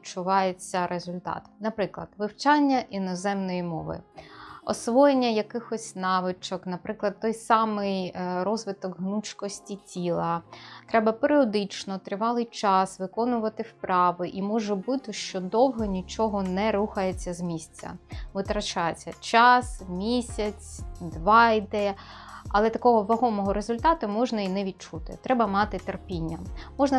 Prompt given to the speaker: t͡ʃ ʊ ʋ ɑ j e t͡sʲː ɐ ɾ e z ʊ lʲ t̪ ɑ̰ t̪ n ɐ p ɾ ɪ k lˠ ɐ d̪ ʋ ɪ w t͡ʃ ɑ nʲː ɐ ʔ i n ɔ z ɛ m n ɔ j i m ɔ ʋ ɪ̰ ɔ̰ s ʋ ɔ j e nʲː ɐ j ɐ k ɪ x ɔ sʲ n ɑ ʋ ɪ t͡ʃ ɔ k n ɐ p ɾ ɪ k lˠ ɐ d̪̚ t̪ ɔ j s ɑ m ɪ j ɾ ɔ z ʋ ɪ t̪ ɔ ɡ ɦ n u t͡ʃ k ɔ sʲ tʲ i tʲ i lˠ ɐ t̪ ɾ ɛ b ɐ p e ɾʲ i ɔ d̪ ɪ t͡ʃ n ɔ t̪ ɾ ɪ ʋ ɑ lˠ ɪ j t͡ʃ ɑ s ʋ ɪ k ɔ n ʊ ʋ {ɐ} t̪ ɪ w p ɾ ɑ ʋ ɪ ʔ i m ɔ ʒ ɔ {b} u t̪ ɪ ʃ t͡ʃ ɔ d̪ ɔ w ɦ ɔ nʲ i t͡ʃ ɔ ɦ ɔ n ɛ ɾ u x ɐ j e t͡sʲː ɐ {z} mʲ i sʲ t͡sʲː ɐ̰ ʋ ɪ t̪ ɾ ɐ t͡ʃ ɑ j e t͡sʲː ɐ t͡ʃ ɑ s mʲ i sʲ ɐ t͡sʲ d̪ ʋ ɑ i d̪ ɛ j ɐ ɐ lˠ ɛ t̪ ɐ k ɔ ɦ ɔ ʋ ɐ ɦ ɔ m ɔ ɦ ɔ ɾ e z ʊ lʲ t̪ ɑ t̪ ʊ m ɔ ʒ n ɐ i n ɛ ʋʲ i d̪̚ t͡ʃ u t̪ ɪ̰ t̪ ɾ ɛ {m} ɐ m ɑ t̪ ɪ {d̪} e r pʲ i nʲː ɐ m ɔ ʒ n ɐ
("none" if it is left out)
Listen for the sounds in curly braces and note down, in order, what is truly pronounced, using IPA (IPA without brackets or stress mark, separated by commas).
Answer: ɐ, b, z, b, t̪